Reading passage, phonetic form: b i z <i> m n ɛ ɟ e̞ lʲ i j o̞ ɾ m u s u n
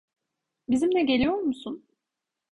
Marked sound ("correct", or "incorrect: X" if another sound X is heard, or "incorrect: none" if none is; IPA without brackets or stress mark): correct